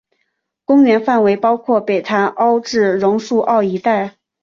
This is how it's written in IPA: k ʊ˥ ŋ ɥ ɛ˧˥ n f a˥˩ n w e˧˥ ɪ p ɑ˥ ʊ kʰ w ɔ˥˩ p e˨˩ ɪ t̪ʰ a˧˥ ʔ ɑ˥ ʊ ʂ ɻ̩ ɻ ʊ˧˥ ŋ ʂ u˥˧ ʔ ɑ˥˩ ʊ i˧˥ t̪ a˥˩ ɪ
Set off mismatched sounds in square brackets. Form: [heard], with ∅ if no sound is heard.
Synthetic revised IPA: k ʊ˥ ŋ ɥ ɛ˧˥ n f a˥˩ n w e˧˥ ɪ p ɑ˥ ʊ kʰ w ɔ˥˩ p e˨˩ ɪ t̪ʰ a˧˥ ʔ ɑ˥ ʊ [ʈ͡ʂ] ɻ̩ ɻ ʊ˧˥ ŋ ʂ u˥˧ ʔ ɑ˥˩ ʊ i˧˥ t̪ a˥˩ ɪ